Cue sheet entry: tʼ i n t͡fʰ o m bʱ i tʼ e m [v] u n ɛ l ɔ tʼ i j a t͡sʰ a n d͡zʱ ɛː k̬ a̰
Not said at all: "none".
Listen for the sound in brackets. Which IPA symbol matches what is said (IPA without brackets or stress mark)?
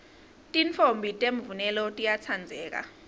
v